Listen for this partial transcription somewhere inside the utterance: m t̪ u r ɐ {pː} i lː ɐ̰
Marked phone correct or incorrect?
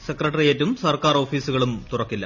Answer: incorrect